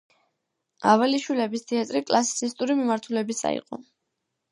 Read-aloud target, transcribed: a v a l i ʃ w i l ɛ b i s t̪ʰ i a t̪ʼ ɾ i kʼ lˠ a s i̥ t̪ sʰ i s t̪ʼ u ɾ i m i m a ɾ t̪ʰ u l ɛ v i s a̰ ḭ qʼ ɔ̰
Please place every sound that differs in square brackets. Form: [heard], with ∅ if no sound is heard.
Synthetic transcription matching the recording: a v a l i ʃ w i l ɛ b i s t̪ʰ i a t̪ʼ ɾ i kʼ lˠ a s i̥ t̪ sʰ i s t̪ʼ u ɾ i m i m a ɾ t̪ʰ u l ɛ [b] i s a̰ ḭ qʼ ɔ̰